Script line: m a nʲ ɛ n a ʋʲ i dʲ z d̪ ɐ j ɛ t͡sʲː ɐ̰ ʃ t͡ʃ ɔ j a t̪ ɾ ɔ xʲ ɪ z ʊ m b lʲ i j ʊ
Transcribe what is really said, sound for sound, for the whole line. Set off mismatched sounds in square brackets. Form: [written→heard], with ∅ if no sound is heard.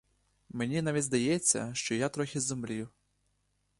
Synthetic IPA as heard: m [a→e] nʲ [ɛ→i] n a ʋʲ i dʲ z d̪ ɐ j ɛ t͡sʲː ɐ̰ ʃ t͡ʃ ɔ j a t̪ ɾ ɔ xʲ ɪ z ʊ m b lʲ i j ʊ